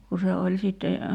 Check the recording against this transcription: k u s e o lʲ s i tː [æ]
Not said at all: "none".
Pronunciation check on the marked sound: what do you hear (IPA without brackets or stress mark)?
e